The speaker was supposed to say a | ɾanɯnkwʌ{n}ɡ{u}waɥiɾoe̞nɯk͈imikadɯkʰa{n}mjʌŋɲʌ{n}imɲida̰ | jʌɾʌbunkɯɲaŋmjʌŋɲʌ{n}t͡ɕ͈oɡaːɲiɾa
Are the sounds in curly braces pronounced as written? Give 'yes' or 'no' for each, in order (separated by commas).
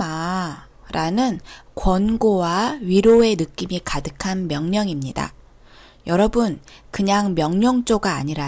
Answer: yes, no, yes, no, no